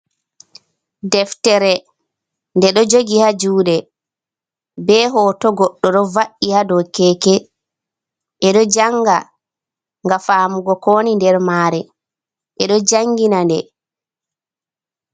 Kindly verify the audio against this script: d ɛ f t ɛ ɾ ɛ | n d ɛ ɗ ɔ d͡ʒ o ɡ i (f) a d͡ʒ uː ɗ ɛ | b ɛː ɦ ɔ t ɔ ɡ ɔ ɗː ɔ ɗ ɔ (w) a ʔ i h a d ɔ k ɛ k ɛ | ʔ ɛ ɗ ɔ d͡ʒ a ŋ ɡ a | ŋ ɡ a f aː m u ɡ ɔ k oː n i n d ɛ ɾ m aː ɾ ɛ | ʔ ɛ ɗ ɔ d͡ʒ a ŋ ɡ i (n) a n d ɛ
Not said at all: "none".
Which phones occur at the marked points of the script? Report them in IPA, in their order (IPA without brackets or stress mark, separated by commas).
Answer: h, v, n